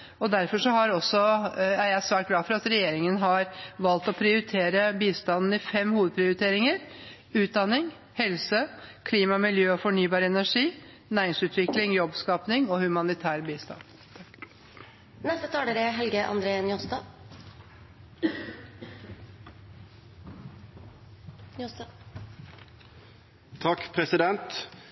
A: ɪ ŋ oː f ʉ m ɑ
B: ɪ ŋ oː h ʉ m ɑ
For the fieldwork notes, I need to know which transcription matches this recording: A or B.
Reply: B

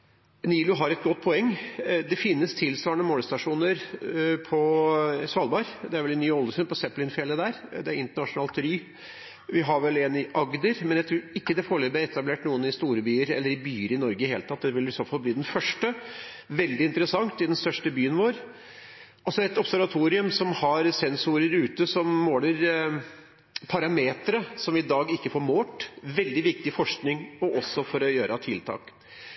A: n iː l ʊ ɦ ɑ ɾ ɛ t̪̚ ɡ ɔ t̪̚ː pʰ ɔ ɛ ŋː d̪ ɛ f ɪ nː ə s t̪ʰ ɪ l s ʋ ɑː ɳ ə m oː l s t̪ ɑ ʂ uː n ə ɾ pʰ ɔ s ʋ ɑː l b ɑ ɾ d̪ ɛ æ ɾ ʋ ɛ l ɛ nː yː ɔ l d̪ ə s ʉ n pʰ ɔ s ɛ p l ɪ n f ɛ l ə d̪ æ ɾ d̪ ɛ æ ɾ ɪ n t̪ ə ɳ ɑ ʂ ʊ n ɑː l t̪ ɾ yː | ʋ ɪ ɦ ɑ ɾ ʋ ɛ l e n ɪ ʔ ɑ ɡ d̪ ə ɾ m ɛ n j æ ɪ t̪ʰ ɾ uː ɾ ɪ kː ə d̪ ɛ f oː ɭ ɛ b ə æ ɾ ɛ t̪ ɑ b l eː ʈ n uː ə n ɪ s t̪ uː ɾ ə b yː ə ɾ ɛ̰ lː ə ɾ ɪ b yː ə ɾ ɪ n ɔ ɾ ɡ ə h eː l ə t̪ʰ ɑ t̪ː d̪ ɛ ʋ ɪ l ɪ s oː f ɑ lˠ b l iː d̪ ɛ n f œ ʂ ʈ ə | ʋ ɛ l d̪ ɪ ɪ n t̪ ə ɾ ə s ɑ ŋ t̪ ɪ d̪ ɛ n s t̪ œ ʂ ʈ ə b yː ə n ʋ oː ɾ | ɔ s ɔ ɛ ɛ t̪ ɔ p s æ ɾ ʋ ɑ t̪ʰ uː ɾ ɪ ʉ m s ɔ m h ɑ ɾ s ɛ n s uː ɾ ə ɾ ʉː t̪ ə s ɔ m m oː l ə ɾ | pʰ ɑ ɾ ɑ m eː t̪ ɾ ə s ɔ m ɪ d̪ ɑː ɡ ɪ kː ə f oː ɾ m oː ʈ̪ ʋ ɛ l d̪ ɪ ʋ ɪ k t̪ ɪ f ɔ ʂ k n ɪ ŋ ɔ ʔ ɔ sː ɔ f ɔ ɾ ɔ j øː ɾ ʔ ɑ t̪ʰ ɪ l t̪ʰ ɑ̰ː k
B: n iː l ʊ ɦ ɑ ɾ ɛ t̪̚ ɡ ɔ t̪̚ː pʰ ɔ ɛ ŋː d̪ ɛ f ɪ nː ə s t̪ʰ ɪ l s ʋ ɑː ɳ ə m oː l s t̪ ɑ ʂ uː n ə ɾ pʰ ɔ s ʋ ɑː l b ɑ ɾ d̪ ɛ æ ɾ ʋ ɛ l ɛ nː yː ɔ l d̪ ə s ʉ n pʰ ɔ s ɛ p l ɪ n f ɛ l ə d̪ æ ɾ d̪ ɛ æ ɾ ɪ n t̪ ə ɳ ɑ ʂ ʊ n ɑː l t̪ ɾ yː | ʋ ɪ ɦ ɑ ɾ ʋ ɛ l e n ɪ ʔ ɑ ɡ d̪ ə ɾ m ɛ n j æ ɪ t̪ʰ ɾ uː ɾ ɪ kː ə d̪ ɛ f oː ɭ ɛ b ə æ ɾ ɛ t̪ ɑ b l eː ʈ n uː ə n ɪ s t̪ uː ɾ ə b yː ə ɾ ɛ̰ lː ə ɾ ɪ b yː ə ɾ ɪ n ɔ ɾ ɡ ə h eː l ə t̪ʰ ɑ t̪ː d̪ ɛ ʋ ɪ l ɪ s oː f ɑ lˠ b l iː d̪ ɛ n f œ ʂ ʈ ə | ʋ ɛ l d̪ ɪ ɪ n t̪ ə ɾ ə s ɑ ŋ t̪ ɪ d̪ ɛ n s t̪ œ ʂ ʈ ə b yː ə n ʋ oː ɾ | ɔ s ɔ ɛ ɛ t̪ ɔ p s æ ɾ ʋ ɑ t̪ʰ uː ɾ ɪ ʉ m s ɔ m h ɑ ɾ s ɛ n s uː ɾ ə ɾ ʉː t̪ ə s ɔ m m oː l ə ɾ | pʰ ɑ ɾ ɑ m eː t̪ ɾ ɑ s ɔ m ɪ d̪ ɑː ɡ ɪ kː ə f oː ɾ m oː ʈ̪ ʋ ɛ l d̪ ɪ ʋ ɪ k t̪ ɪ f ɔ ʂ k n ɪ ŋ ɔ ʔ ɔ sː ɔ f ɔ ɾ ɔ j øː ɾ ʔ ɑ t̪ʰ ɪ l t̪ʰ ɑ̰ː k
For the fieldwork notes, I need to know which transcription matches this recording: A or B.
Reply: A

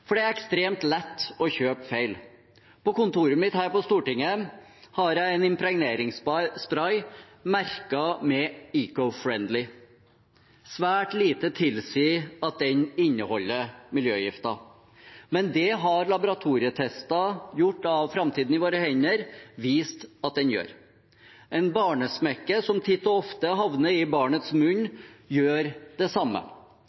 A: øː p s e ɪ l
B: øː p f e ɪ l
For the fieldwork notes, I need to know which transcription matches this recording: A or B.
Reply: B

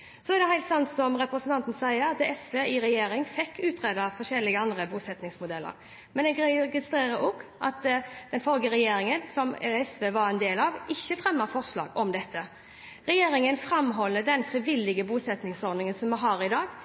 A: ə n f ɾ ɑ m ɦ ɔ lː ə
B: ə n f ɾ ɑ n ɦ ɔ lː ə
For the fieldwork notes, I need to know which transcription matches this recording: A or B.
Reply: A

